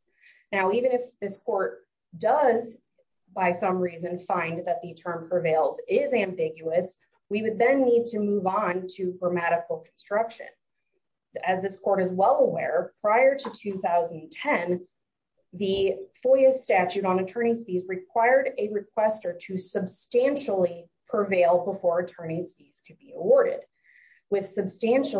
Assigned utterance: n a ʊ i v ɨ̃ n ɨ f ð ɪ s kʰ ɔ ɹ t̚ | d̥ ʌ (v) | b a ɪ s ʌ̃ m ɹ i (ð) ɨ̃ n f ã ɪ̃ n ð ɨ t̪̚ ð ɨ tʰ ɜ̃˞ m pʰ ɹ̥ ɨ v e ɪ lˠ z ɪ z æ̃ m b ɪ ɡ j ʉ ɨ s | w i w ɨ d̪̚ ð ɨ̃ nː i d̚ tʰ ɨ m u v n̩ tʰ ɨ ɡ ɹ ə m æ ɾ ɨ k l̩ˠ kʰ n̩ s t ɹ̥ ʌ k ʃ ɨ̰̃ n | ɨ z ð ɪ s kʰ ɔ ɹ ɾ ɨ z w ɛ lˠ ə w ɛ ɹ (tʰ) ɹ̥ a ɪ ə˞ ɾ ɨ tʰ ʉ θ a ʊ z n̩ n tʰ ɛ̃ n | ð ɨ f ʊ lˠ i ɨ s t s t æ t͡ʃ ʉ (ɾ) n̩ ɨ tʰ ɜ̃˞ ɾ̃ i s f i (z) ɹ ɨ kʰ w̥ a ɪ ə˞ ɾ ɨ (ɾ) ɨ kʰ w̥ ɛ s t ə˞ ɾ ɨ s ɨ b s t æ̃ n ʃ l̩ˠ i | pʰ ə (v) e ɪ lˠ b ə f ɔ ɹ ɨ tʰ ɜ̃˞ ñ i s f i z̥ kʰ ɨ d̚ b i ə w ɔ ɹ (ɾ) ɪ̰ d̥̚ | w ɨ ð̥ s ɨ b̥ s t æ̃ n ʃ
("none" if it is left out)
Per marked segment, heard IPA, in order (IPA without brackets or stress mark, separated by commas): z, z, pʰ, ɾ, z, ɹ, v, ɾ